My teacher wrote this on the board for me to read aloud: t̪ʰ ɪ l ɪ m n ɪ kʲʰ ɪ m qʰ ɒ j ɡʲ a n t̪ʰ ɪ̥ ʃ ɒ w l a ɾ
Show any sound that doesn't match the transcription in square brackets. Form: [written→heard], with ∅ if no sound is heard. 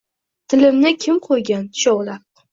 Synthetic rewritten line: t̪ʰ ɪ l ɪ m n ɪ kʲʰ ɪ m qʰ [ɒ→o] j ɡʲ a n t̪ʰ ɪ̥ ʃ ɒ w l a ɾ